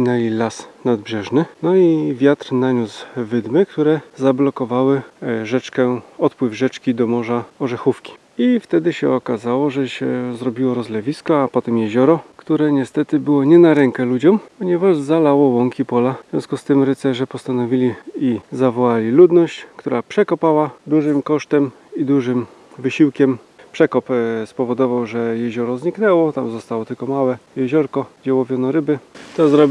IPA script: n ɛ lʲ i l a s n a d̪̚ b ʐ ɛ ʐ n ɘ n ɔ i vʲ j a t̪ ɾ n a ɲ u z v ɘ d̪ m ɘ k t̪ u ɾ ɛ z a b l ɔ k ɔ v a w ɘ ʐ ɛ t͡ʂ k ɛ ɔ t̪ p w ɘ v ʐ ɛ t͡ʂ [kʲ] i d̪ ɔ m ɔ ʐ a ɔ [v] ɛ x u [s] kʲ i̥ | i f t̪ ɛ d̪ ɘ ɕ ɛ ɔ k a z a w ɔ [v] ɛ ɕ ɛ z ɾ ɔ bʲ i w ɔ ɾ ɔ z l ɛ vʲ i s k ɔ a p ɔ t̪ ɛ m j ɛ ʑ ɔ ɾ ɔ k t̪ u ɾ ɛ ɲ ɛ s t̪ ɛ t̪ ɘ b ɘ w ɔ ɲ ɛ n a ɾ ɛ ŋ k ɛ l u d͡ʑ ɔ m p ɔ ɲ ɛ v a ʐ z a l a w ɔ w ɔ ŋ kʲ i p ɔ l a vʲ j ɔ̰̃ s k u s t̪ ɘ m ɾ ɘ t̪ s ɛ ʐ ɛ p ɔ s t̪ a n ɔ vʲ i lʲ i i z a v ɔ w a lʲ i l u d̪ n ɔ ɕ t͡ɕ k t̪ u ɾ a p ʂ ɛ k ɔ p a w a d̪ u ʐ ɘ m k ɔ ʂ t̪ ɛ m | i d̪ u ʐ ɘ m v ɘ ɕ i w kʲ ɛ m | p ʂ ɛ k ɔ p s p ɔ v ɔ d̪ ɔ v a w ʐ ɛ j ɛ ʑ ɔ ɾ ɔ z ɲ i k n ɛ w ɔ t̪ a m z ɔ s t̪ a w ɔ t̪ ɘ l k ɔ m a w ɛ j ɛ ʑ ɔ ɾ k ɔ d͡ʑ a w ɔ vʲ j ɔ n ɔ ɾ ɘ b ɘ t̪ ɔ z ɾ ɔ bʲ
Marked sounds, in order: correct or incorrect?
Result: correct, incorrect, incorrect, incorrect

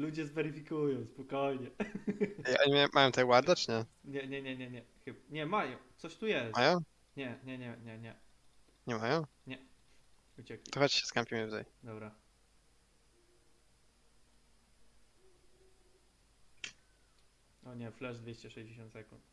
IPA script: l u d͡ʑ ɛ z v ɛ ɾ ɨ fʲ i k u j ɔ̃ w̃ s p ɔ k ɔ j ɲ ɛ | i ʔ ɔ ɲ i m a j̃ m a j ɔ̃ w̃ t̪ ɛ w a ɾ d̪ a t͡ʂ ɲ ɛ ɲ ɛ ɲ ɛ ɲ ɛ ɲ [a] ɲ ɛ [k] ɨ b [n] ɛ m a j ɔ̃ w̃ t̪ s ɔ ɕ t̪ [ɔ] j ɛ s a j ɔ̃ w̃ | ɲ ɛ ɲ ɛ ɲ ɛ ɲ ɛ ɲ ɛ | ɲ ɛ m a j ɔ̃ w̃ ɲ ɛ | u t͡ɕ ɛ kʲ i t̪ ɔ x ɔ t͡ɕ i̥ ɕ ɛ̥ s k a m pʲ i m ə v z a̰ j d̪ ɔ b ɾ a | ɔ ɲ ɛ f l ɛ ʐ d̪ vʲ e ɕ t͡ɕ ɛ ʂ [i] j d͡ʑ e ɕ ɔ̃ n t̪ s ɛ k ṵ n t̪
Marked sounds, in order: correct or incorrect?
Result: incorrect, incorrect, incorrect, incorrect, incorrect

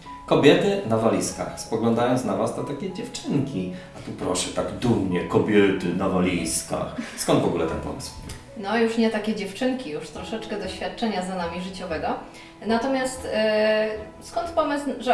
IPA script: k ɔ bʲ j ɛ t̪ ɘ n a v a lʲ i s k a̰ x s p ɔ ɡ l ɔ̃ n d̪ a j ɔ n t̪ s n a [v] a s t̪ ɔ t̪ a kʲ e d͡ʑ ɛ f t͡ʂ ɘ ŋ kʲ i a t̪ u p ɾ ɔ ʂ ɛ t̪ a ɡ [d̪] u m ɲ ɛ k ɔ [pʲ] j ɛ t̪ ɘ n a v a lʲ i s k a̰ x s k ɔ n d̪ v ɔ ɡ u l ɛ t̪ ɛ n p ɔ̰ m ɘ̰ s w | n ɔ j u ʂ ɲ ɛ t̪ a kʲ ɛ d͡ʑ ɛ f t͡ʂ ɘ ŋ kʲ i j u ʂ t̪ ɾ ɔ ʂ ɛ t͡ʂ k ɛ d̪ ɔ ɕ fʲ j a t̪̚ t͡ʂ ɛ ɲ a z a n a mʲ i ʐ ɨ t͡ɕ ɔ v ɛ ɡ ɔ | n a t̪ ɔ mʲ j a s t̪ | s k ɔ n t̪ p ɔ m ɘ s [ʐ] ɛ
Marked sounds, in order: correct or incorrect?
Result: correct, correct, incorrect, correct

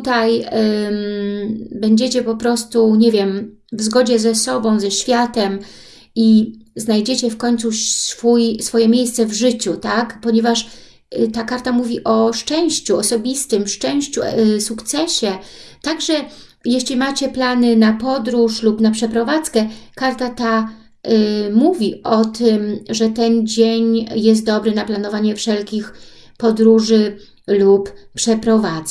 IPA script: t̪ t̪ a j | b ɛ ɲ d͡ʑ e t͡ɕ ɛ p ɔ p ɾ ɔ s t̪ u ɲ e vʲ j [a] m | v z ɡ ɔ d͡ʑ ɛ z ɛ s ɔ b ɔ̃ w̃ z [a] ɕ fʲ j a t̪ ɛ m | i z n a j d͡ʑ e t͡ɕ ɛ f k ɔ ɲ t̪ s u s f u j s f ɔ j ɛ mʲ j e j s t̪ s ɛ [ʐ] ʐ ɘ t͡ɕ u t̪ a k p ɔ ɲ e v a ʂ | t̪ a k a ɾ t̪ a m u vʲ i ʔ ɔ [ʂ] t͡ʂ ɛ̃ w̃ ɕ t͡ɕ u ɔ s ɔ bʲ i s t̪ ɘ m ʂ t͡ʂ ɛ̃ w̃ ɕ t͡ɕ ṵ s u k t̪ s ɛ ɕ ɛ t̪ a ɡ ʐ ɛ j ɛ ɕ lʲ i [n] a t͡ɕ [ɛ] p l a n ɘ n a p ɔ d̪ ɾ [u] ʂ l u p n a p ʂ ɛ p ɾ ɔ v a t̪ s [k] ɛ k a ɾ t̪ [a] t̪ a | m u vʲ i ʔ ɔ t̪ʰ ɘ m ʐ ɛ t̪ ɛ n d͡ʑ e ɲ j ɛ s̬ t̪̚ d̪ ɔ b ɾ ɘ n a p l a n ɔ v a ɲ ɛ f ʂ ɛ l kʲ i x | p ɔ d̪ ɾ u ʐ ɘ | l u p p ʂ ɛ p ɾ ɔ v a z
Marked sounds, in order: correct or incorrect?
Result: incorrect, incorrect, incorrect, correct, incorrect, correct, correct, correct, correct

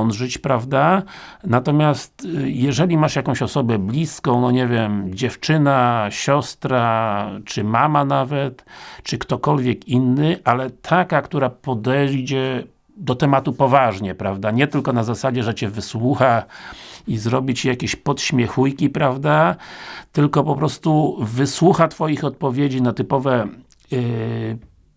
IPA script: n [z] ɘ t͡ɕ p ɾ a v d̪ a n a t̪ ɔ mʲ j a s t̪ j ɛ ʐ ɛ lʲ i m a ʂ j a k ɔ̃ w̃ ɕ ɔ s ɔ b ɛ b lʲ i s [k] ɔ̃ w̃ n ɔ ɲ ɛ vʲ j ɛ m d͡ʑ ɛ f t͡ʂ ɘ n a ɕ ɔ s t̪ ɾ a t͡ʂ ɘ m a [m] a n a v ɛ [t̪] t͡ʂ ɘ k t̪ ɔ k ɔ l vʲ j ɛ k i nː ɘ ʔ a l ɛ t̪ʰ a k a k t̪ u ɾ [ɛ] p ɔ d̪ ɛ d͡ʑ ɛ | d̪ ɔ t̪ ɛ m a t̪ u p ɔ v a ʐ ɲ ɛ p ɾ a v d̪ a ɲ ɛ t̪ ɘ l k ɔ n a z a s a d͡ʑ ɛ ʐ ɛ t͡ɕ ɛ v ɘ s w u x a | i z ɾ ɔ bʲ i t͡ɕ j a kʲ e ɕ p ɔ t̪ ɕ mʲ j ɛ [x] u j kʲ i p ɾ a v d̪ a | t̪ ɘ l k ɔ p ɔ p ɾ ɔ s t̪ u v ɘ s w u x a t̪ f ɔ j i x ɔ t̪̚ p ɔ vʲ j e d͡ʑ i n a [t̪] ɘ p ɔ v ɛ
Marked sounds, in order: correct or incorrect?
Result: incorrect, correct, correct, correct, incorrect, correct, correct

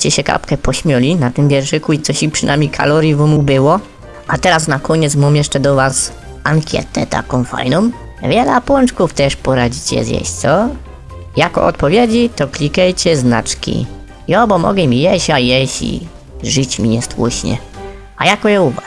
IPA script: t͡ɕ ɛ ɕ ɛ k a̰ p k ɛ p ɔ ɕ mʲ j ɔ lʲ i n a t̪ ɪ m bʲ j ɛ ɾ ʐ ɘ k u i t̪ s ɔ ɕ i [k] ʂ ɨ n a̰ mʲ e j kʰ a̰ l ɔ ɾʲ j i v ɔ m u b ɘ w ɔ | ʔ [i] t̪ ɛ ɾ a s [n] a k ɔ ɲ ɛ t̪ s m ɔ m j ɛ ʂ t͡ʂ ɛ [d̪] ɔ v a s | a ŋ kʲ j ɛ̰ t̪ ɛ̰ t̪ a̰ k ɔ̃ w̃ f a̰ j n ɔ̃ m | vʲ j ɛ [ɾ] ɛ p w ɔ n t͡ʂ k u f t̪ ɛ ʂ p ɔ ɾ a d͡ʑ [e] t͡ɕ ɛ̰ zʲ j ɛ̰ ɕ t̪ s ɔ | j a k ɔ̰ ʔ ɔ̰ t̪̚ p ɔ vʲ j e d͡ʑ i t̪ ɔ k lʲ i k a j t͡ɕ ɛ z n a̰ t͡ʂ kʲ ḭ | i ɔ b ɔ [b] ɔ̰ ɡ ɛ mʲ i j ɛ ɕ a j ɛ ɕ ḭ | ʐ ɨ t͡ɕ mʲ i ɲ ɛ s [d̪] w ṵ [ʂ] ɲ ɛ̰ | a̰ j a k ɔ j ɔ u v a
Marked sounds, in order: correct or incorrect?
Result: incorrect, incorrect, correct, correct, incorrect, incorrect, incorrect, incorrect, incorrect

